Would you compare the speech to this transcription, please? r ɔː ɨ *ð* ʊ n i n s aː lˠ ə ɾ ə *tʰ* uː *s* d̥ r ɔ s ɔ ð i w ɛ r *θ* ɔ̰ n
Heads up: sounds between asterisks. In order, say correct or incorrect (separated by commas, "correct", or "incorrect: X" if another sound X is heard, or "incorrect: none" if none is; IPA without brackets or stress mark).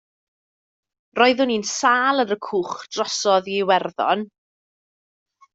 correct, incorrect: kʰ, incorrect: χ, incorrect: ð